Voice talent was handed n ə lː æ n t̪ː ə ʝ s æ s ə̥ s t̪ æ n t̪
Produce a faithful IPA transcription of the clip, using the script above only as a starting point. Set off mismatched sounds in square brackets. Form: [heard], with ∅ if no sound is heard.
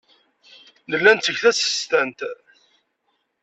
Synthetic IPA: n ə lː æ n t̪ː ə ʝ [θ] æ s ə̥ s t̪ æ n t̪